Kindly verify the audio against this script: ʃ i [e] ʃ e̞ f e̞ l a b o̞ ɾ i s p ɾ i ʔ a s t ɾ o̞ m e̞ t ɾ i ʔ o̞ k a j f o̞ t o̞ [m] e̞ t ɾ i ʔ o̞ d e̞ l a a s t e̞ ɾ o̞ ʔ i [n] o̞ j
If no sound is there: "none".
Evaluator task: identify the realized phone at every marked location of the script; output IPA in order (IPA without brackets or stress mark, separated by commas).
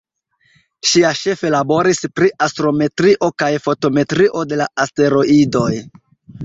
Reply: a, m, d